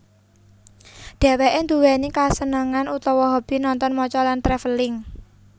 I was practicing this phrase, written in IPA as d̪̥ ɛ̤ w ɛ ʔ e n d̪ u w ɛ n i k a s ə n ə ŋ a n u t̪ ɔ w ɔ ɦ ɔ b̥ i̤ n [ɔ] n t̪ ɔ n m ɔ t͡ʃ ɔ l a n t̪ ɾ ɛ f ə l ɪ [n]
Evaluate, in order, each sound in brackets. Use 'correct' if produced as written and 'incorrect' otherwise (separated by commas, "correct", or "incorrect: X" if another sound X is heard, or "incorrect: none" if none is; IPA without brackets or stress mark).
correct, incorrect: ŋ